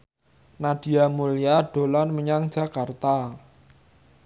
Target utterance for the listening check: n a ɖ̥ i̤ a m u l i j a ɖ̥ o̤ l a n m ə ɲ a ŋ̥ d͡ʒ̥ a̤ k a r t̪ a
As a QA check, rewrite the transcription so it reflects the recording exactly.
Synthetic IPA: n a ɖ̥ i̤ a m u l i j a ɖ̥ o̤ l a n m ə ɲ a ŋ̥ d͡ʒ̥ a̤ k a r t̪ a